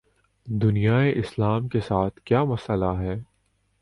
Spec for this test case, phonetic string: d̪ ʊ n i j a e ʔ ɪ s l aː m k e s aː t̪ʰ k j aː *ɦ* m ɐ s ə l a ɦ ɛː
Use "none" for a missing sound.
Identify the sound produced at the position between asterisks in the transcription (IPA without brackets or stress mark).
none